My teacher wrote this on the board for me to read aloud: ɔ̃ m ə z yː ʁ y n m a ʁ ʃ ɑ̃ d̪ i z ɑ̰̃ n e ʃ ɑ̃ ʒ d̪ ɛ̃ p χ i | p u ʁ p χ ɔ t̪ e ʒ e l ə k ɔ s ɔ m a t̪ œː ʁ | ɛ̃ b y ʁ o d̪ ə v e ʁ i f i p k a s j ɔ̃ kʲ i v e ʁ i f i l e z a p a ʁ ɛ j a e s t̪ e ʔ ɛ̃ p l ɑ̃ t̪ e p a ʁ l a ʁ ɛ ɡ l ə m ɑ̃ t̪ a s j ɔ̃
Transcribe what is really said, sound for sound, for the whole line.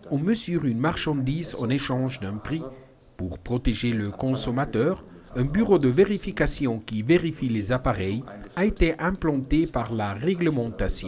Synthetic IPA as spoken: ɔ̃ m ə z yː ʁ y n m a ʁ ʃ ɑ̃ d̪ i z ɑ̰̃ n e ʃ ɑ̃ ʒ d̪ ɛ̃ p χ i | p u ʁ p χ ɔ t̪ e ʒ e l ə k ɔ̃ s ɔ m a t̪ œː ʁ | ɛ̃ b y ʁ o d̪ ə v e ʁ i f i k a s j ɔ̃ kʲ i v e ʁ i f i l e z a p a ʁ ɛ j a e t̪ e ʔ ɛ̃ p l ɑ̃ t̪ e p a ʁ l a ʁ ɛ ɡ l ə m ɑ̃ t̪ a s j ɔ̃